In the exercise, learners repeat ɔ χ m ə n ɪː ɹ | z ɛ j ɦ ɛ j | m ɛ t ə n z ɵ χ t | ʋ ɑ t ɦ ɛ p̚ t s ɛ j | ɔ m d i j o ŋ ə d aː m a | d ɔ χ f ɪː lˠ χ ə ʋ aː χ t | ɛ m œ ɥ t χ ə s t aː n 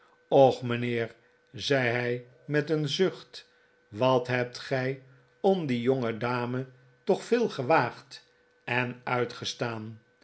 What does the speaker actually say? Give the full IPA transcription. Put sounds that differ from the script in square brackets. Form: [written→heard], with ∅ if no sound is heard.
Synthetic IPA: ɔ χ m ə n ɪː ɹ | z ɛ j ɦ ɛ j | m ɛ t ə n z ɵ χ t | ʋ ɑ t ɦ ɛ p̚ t [s→χ] ɛ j | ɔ m d i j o ŋ ə d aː m [a→ə] | [d→t] ɔ χ f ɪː lˠ χ ə ʋ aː χ t | ɛ [m→n] œ ɥ t χ ə s t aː n

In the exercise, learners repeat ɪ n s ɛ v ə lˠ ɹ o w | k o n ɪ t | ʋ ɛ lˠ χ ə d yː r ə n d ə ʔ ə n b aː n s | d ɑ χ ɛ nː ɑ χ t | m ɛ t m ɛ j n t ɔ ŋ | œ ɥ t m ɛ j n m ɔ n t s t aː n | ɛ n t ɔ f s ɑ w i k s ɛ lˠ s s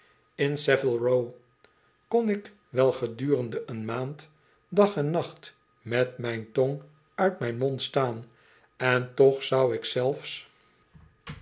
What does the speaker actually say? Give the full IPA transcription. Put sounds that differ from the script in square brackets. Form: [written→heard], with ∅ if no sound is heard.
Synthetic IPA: ɪ n s ɛ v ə lˠ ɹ o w | k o n ɪ [t→k] | ʋ ɛ lˠ χ ə d yː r ə n d ə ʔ ə n [b→m] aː n [s→t] | d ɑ χ ɛ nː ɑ χ t | m ɛ t m ɛ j n t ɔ ŋ | œ ɥ t m ɛ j n m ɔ n t s t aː n | ɛ n t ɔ [f→χ] s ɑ w [i→ɪ] k s ɛ lˠ [s→f] s

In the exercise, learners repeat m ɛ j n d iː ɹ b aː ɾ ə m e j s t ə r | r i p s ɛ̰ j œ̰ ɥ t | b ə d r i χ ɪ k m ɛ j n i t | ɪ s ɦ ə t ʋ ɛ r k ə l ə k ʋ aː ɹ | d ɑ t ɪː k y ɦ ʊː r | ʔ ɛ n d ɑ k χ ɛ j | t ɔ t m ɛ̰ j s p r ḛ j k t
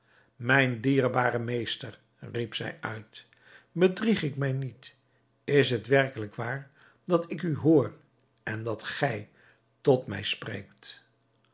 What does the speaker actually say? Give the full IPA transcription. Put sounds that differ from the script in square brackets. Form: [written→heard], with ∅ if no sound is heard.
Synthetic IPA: m ɛ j n d iː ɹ b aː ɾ ə m e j s t ə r | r i p s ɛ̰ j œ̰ ɥ t | b ə d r i χ ɪ k m ɛ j n i t | ɪ s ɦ ə t ʋ ɛ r k ə l ə k ʋ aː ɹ | d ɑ t [ɪː→ɪ] k y ɦ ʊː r | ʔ ɛ n d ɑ [k→t] χ ɛ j | t ɔ t m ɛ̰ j s p r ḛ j k t

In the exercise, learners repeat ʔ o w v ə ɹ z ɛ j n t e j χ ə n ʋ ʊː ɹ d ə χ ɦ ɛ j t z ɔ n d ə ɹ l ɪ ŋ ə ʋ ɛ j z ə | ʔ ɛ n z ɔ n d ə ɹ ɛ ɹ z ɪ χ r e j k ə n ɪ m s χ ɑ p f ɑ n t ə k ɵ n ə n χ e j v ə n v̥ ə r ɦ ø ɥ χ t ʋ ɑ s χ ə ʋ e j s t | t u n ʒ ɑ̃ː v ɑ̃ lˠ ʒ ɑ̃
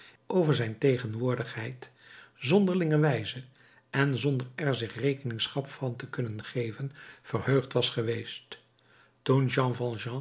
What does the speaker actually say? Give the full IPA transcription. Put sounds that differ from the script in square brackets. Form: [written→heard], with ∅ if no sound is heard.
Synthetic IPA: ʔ o w v ə ɹ z ɛ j n t e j χ ə n ʋ ʊː ɹ d ə χ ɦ ɛ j t z ɔ n d ə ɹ l ɪ ŋ ə ʋ ɛ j z ə | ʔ ɛ n z ɔ n d ə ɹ ɛ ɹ z ɪ χ r e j k ə n ɪ [m→ŋ] s χ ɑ p f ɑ n t ə k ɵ n ə n χ e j v ə n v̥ ə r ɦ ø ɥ χ t ʋ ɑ s χ ə ʋ e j s t | t u n ʒ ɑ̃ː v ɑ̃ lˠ ʒ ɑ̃

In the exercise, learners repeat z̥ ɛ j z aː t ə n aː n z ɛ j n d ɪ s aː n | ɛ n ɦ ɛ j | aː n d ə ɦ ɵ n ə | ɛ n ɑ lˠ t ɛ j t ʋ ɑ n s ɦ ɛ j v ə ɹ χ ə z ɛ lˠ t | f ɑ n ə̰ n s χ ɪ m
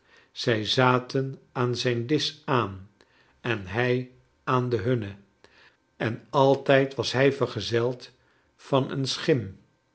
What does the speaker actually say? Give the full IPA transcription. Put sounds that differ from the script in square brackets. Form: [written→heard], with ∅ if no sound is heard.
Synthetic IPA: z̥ ɛ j z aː t ə n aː n z ɛ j n d ɪ s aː n | ɛ n ɦ ɛ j | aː n d ə ɦ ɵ n ə | ɛ n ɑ lˠ t ɛ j t ʋ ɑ [n→∅] s ɦ ɛ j v ə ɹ χ ə z ɛ lˠ t | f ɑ n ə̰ n s χ ɪ m

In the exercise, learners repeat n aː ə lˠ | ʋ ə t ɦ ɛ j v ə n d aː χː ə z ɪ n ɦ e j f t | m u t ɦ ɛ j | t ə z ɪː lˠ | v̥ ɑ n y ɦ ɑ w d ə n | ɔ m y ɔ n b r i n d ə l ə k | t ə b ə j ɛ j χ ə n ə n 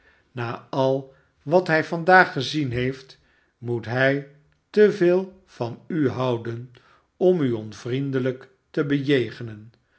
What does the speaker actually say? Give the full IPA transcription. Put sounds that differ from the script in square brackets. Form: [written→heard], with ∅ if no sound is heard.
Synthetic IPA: n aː [ə→ɑ] lˠ | ʋ [ə→ɑ] t ɦ ɛ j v [ə→ɑ] n d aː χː ə z [ɪ→i] n ɦ e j f t | m u t ɦ ɛ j | t ə [z→v] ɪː lˠ | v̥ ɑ n y ɦ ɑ w d ə n | ɔ m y ɔ n [b→v] r i n d ə l ə k | t ə b ə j [ɛ→e] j χ ə n ə n

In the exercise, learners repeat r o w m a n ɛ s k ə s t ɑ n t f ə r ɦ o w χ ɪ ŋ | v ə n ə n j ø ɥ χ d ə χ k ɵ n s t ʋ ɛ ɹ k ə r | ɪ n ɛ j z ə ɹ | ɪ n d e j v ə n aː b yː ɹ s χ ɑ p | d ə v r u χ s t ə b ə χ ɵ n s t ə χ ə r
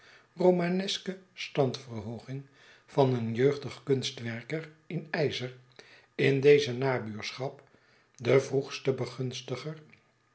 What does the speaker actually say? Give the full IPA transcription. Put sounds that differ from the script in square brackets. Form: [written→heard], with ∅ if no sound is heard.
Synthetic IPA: r o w m a n ɛ s k ə s t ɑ n t f ə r ɦ o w χ ɪ ŋ | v [ə→ɑ] n ə n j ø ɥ χ d ə χ k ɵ n s t ʋ ɛ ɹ k ə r | ɪ n ɛ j z ə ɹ | ɪ n d e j [v→z] ə n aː b yː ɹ s χ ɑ p | d ə v r u χ s t ə b ə χ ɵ n s t ə χ ə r

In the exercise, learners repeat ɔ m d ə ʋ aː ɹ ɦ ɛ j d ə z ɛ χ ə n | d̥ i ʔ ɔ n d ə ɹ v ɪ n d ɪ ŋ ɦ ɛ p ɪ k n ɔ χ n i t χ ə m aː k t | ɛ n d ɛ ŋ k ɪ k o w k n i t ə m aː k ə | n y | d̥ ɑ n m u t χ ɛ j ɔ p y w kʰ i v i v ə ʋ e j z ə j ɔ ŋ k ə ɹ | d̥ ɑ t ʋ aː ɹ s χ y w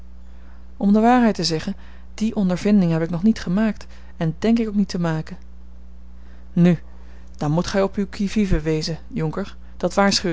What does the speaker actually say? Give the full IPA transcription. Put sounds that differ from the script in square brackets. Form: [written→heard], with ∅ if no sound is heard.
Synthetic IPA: ɔ m d ə ʋ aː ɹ ɦ ɛ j [d→t] ə z ɛ χ ə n | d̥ i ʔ ɔ n d ə ɹ v ɪ n d ɪ ŋ ɦ ɛ p ɪ k n ɔ χ n i t χ ə m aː k t | ɛ n d ɛ ŋ k ɪ k o w k n i t ə m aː k ə | n y | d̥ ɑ n m u t χ ɛ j ɔ p y w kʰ i v i v ə ʋ e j z ə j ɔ ŋ k ə ɹ | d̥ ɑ t ʋ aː ɹ s χ y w

